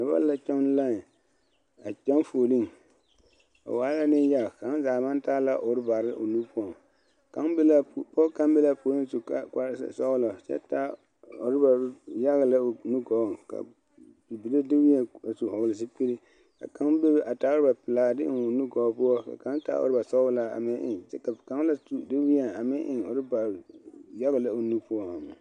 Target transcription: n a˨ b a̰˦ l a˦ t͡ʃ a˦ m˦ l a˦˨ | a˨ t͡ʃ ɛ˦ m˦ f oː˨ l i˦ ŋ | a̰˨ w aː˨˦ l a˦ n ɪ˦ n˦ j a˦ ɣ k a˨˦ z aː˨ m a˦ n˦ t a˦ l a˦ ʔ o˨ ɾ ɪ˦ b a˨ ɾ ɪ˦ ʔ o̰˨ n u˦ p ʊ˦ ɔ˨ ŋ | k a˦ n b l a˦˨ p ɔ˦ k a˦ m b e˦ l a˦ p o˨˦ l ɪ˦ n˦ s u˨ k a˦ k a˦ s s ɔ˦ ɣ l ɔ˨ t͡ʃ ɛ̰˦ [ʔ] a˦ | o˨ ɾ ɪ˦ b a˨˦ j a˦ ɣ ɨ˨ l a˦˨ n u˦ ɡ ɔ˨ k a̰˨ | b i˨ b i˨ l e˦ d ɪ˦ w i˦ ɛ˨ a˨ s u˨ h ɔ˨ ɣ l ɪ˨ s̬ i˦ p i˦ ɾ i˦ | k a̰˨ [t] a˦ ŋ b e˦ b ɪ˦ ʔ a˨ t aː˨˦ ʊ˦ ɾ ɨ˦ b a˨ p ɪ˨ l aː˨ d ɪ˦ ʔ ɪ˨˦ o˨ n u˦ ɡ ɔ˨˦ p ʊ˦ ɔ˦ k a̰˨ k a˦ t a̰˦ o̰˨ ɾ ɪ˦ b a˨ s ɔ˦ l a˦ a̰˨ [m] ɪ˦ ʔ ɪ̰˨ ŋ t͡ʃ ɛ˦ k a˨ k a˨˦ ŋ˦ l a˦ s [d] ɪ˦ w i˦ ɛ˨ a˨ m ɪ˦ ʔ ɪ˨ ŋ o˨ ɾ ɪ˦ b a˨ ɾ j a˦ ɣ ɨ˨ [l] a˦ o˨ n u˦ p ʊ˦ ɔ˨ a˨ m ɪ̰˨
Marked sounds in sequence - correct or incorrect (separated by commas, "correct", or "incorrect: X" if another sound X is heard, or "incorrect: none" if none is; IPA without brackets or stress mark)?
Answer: incorrect: t, incorrect: k, correct, correct, correct